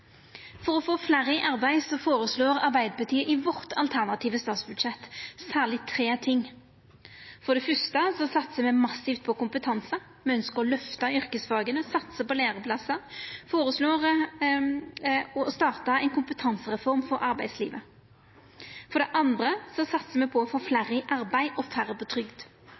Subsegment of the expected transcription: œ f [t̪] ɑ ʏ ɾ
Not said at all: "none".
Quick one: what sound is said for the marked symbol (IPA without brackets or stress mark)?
t̪